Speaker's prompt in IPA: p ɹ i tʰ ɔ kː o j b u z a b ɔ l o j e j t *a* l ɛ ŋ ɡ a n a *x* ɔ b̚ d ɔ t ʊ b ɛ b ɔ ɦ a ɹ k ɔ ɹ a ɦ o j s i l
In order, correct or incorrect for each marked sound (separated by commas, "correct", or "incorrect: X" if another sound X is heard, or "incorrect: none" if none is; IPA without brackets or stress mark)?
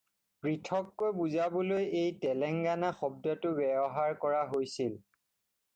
incorrect: ɛ, correct